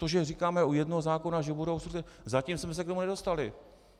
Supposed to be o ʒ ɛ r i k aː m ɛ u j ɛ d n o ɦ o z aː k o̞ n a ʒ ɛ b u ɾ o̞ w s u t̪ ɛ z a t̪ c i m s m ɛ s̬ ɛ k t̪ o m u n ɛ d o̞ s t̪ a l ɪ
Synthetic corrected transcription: o ʒ ɛ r i k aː m ɛ u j ɛ d n o ɦ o z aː k o̞ n a ʒ ɛ b u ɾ o̞ w s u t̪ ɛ z a c i m s m ɛ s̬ ɛ k t̪ o m u n ɛ d o̞ s t̪ a l ɪ